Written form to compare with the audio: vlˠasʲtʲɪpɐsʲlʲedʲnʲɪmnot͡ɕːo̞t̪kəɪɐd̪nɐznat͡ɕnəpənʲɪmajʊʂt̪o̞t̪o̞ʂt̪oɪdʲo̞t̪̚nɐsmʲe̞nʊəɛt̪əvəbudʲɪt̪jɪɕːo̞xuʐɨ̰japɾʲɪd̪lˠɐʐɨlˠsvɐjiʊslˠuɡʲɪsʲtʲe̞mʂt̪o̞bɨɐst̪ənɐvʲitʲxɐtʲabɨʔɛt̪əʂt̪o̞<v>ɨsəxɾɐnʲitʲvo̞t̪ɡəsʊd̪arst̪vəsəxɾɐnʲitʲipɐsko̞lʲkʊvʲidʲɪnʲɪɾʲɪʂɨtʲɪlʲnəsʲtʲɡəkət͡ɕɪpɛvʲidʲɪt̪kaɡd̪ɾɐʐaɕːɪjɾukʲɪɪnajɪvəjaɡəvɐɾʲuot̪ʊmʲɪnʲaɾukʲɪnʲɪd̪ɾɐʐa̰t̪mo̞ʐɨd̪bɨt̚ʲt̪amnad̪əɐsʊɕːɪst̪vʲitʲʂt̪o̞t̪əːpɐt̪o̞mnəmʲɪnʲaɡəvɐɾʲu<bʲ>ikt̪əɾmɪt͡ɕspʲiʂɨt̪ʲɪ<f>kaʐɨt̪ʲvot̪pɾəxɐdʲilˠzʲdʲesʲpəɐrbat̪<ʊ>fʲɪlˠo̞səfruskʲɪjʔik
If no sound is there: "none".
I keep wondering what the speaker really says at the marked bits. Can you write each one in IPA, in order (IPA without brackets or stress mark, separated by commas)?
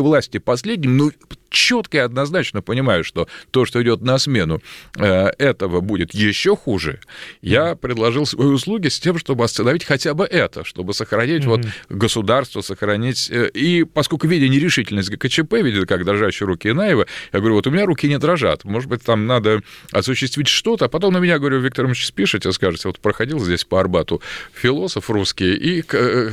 b, vʲ, s, ʊ